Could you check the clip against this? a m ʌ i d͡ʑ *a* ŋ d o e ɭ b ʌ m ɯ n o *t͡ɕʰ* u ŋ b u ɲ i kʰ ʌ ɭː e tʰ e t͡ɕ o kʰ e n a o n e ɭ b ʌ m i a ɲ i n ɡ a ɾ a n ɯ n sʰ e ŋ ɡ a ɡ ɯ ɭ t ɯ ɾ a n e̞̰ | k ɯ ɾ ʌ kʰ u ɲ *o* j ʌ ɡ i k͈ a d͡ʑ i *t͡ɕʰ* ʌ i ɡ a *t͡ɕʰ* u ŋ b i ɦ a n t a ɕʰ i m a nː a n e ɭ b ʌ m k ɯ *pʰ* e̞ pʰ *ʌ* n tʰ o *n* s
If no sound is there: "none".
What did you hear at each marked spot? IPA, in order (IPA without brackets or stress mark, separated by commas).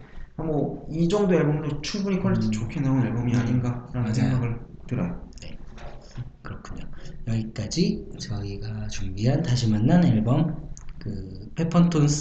ʌ, t͡ɕʰ, o, t͡ɕ, t͡ɕ, pʰ, ʌ, n